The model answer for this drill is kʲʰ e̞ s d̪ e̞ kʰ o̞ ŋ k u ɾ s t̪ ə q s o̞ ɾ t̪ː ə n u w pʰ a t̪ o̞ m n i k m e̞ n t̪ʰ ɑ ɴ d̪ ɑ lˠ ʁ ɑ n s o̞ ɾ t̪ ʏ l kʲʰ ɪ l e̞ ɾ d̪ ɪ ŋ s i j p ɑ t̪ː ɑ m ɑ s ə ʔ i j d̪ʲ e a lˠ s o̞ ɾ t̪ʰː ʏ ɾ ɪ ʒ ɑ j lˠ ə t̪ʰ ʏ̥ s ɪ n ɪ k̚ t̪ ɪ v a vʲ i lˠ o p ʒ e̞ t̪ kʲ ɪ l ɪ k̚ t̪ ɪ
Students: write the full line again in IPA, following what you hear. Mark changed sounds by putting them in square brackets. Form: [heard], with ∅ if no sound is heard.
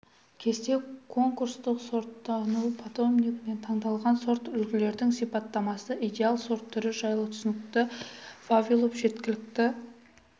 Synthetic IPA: kʲʰ e̞ s [t̪] e̞ kʰ o̞ ŋ k u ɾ s t̪ ə q s o̞ ɾ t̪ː [ɑ] n u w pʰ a t̪ o̞ m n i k m e̞ n t̪ʰ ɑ ɴ d̪ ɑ lˠ ʁ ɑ n s o̞ ɾ t̪ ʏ l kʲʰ ɪ l e̞ ɾ d̪ ɪ ŋ s i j p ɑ t̪ː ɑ m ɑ s ə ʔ i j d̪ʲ e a lˠ s o̞ ɾ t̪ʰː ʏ ɾ ɪ ʒ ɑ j lˠ ə t̪ʰ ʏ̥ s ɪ n ɪ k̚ t̪ ɪ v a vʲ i lˠ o p ʒ e̞ t̪ kʲ ɪ l ɪ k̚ t̪ ɪ